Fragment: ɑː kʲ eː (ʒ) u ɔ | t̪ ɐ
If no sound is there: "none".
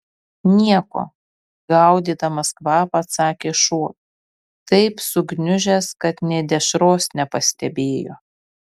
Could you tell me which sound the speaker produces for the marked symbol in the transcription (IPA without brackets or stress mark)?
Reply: ʃ